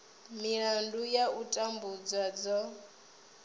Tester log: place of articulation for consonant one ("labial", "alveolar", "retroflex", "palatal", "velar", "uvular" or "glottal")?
labial